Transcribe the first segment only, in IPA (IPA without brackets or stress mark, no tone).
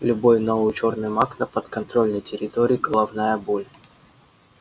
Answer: lʲ